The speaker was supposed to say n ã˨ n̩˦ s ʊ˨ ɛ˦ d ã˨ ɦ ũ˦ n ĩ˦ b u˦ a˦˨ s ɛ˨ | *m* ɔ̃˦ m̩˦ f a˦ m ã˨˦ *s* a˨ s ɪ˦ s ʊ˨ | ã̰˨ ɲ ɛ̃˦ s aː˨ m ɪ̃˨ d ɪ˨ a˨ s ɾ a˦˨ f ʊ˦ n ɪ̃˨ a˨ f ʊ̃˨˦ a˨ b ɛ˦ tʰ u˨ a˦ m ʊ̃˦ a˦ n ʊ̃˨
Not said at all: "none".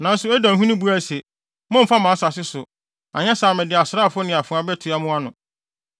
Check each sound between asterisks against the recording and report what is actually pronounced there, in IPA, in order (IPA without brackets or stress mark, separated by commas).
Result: m, s